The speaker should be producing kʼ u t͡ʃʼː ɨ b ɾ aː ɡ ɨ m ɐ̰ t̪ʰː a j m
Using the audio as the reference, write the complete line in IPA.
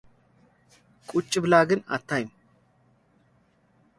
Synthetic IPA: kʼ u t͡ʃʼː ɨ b l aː ɡ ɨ n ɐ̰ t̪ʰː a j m